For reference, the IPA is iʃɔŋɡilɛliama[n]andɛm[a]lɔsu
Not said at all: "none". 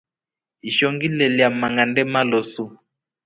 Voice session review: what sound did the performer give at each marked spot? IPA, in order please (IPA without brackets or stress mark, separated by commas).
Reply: ŋ, a